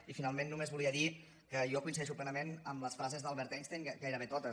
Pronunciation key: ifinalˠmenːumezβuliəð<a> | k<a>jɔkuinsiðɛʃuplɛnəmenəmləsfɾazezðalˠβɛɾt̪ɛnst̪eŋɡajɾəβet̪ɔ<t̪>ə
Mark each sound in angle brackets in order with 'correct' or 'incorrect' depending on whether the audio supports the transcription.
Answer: incorrect, incorrect, correct

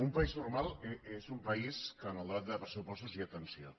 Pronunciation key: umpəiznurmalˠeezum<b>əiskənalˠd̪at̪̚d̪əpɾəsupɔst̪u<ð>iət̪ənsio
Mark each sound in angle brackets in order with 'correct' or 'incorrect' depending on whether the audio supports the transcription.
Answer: incorrect, incorrect

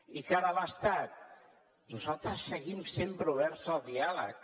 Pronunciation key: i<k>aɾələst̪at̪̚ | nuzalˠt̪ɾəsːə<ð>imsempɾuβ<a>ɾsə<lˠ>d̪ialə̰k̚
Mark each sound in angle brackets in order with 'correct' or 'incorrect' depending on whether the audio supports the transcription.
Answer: correct, incorrect, incorrect, correct

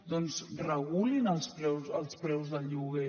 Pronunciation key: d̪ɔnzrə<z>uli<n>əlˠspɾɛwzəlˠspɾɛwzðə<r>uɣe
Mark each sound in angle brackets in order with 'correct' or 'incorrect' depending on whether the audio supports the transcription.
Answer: incorrect, correct, incorrect

